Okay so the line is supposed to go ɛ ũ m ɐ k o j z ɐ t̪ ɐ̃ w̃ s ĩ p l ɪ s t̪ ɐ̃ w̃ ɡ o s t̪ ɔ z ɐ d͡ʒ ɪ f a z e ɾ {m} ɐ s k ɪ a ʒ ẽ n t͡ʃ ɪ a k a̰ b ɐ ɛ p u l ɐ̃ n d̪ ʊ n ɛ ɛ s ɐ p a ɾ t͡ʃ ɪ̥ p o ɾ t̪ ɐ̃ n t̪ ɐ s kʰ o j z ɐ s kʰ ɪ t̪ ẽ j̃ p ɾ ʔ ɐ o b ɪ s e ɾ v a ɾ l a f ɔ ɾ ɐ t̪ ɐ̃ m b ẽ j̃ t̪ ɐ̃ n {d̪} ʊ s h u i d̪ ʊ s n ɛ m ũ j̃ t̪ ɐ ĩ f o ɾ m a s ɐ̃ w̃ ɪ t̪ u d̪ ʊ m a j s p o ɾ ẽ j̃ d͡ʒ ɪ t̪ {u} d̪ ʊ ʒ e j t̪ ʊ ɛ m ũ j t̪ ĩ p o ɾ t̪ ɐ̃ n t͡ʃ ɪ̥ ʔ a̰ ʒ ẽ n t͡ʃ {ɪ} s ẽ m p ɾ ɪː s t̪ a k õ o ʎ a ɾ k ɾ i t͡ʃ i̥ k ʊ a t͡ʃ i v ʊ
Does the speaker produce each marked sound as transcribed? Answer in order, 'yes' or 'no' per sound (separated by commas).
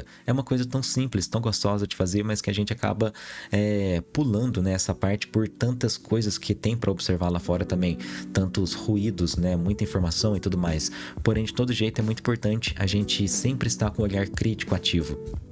yes, no, no, yes